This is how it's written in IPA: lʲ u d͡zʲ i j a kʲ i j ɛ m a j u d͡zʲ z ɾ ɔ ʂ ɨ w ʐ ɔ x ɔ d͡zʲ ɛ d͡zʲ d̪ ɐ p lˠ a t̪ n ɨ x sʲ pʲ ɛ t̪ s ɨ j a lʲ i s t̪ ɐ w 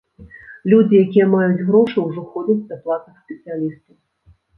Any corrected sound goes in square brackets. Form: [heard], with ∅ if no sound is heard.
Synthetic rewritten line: lʲ u d͡zʲ i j a kʲ i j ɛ m a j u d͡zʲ [ɣ] ɾ ɔ ʂ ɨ w ʐ ɔ x ɔ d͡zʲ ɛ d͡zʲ d̪ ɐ p lˠ a t̪ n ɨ x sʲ pʲ ɛ t̪ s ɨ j a lʲ i s t̪ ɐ w